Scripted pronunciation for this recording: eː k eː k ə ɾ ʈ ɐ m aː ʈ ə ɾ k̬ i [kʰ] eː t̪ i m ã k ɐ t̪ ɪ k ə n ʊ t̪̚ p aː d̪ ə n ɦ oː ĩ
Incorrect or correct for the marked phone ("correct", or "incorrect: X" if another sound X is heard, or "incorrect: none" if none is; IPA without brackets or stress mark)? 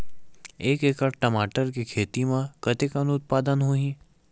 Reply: correct